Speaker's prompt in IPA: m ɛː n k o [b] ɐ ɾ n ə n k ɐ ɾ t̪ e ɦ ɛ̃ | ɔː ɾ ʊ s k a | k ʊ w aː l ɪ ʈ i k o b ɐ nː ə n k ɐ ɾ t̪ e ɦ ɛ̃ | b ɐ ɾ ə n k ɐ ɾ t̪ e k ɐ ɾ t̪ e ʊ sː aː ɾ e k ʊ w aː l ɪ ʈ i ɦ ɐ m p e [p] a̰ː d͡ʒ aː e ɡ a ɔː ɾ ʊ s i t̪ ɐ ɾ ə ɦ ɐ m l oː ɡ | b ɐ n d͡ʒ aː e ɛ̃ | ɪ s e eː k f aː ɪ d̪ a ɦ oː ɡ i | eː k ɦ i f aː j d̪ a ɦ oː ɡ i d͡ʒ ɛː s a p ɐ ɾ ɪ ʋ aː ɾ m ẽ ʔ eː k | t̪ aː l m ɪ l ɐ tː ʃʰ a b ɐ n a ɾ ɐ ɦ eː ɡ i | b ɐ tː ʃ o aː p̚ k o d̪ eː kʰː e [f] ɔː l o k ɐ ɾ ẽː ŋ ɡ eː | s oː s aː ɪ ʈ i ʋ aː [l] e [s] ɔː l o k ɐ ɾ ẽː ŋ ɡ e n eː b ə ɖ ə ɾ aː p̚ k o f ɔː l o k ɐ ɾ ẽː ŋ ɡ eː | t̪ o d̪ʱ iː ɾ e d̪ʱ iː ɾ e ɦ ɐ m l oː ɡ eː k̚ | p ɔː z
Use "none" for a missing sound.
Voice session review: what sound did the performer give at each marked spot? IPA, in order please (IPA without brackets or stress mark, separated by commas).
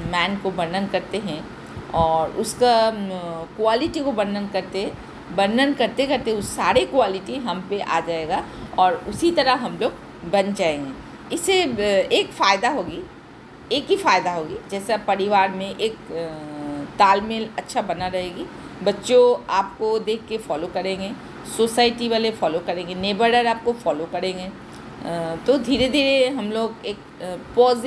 b, ʔ, f, l, f